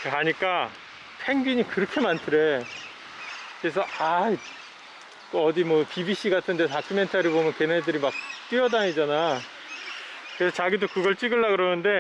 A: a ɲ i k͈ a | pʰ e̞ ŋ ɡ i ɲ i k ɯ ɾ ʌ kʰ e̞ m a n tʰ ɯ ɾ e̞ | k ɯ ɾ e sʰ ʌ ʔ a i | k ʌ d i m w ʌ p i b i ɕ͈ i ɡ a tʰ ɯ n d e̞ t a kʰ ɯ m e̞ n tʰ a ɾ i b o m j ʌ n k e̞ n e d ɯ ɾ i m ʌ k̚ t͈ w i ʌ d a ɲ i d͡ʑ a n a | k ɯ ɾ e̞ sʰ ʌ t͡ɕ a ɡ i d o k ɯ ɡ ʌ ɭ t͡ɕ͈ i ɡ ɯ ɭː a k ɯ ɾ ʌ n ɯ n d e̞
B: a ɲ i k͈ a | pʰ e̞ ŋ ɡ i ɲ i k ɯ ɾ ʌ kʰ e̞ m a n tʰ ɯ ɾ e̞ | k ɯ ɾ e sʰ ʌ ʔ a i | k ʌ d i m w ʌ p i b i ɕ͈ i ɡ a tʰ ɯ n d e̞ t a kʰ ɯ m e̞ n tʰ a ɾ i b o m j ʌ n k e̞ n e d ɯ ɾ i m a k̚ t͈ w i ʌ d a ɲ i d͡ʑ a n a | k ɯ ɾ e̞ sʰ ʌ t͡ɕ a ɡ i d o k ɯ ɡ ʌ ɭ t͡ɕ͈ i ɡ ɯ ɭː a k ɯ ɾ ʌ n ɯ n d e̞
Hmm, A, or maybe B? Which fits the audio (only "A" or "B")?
B